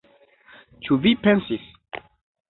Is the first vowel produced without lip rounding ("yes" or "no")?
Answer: no